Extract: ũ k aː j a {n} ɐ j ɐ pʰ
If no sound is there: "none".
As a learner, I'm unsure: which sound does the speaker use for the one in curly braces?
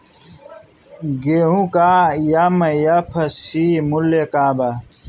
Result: m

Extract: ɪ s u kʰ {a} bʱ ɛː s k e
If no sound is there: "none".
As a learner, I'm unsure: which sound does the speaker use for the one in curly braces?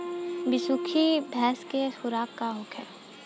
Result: i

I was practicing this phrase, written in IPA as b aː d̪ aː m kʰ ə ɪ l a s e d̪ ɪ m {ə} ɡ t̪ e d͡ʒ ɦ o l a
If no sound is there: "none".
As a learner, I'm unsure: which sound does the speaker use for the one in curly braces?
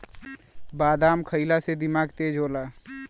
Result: a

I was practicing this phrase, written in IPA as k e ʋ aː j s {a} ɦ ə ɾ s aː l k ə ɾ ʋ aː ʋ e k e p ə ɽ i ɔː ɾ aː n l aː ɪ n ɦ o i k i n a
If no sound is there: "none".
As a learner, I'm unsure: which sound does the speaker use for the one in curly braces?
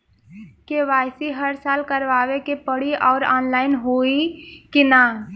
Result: i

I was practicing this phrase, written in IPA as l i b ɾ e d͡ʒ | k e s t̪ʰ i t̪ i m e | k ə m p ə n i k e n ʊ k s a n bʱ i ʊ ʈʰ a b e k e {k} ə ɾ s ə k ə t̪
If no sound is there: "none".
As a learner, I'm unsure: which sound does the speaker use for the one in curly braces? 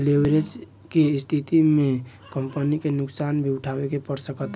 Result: p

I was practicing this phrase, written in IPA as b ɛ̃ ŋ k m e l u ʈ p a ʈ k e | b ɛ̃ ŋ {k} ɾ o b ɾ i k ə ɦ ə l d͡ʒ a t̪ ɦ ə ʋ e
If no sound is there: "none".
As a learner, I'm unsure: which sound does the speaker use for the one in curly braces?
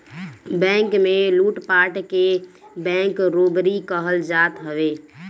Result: k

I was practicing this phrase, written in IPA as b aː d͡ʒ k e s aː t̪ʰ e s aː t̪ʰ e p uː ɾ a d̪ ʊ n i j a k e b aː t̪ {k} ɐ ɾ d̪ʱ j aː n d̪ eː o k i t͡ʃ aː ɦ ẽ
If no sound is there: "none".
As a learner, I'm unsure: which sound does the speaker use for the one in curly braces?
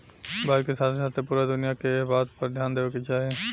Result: p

